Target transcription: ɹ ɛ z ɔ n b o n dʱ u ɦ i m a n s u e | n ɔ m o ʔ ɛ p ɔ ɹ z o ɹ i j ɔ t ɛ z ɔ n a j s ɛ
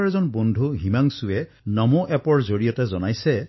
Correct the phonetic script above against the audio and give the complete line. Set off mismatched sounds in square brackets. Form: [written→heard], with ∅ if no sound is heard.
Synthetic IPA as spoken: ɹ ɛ z ɔ n b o n dʱ u ɦ i m a [n→ŋ] s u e | n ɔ m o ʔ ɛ p ɔ ɹ z o ɹ i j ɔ t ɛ z ɔ n a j s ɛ

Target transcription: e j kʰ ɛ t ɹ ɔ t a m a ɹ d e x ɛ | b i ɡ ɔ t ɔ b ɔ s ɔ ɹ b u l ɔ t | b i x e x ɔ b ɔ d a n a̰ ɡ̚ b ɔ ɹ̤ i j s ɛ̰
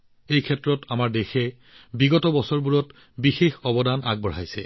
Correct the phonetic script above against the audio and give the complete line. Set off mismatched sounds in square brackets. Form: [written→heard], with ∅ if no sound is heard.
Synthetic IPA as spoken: e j kʰ ɛ t ɹ ɔ t a m a ɹ d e x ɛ | b i ɡ ɔ t ɔ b ɔ s ɔ ɹ b u [l→ɹ] ɔ t | b i x e x ɔ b ɔ d a n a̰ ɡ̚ b ɔ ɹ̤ [i→a] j s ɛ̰

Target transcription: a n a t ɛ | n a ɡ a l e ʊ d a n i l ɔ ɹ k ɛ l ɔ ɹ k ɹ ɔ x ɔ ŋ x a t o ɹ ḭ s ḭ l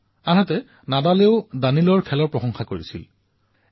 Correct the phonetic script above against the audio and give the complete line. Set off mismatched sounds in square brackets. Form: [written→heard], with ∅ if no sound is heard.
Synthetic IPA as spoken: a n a t ɛ | n a [ɡ→d] a l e ʊ d a n i l ɔ ɹ [k→kʰ] ɛ l ɔ ɹ [k→p] ɹ ɔ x ɔ ŋ x a [t→k] o ɹ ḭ s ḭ l

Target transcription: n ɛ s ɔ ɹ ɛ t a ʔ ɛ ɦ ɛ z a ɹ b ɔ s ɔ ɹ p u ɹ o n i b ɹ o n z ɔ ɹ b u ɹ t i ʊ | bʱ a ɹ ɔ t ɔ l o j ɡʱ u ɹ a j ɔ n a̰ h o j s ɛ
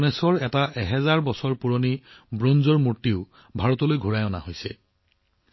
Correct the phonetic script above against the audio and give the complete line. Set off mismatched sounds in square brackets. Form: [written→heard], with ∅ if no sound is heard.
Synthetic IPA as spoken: n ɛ s ɔ ɹ ɛ t a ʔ ɛ ɦ ɛ z a ɹ b ɔ s ɔ ɹ p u ɹ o n i b ɹ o n z ɔ ɹ [b→m] u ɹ t i ʊ | bʱ a ɹ ɔ t ɔ l o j ɡʱ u ɹ a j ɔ n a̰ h o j s ɛ

